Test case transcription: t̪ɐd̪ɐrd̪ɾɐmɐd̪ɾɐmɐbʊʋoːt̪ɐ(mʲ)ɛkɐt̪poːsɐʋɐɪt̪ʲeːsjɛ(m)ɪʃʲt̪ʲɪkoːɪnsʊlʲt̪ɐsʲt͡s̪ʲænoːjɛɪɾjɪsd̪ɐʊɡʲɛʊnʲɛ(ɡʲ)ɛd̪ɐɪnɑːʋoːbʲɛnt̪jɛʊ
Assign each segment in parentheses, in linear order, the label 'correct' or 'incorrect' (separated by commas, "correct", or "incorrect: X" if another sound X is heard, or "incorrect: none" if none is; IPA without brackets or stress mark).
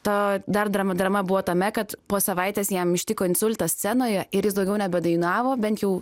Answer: correct, correct, incorrect: bʲ